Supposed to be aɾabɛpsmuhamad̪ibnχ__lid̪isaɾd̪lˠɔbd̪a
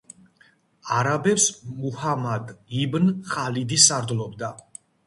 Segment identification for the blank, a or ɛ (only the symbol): a